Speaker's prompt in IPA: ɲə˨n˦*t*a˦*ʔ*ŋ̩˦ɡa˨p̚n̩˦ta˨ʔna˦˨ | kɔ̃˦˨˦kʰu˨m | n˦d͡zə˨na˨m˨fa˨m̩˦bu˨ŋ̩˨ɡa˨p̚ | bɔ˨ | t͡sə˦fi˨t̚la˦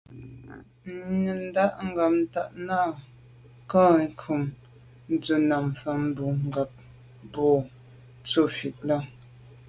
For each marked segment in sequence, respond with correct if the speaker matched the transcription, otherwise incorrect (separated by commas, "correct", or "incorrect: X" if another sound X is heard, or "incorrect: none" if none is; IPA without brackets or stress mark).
incorrect: d, correct